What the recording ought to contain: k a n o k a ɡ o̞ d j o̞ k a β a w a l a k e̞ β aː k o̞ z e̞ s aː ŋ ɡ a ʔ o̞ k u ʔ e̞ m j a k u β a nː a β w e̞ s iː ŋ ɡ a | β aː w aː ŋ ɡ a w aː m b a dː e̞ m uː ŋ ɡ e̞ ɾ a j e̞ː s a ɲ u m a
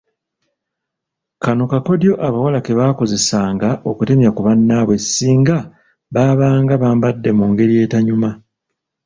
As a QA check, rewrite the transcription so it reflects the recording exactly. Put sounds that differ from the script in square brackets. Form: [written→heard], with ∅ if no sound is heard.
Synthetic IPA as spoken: k a n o k a [ɡ→k] o̞ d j o̞ [k→ʔ] a β a w a l a k e̞ β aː k o̞ z e̞ s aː ŋ ɡ a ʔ o̞ k u [ʔ→t] e̞ m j a k u β a nː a β w e̞ s iː ŋ ɡ a | β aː [w→β] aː ŋ ɡ a [w→β] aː m b a dː e̞ m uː ŋ ɡ e̞ ɾ [a→i] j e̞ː [s→t] a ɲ u m a